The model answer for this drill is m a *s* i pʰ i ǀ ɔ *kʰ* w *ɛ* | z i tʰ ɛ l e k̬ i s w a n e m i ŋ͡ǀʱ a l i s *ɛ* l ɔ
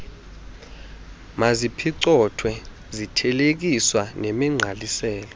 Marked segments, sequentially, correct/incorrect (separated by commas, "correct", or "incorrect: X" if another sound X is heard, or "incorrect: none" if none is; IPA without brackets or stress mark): incorrect: z, incorrect: tʰ, correct, incorrect: ɛː